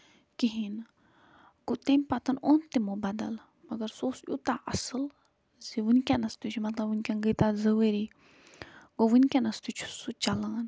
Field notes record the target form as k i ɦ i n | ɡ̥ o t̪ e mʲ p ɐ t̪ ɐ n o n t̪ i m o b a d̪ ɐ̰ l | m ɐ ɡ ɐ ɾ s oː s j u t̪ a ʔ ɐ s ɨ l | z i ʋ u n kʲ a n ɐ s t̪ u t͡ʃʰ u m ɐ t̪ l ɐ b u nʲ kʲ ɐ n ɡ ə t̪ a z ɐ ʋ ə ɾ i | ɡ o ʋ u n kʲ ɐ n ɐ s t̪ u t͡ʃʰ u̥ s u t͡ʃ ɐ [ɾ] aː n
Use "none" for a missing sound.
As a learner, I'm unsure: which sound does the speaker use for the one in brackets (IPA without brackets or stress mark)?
l